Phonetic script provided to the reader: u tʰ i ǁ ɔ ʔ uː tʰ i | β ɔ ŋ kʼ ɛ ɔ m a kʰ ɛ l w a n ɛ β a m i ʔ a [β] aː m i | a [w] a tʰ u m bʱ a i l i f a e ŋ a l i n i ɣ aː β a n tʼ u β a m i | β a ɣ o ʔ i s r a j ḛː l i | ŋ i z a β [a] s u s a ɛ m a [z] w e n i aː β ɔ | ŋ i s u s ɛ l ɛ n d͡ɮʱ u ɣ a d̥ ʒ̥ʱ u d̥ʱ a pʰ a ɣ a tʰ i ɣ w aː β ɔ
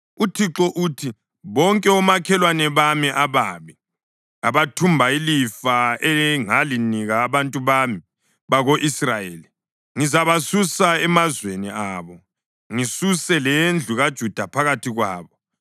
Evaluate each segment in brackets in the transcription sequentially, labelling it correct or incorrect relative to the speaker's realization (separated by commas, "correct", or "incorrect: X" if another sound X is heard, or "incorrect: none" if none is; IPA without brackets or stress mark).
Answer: correct, incorrect: β, correct, correct